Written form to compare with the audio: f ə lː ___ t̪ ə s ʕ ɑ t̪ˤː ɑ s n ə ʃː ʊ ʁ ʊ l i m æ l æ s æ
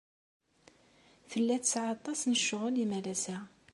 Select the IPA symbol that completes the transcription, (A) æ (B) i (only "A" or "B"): A